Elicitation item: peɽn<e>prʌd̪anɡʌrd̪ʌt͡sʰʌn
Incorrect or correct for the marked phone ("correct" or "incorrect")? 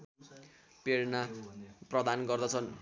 incorrect